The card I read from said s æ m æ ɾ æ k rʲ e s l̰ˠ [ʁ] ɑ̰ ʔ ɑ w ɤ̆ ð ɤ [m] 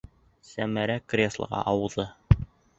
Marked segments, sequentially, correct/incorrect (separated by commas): correct, incorrect